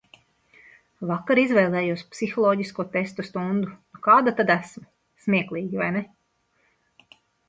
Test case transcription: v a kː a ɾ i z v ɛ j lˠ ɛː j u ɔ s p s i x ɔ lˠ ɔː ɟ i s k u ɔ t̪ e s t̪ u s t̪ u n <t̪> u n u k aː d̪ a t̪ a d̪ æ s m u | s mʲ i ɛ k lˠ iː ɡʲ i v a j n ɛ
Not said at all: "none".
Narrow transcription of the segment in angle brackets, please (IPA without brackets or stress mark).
d̪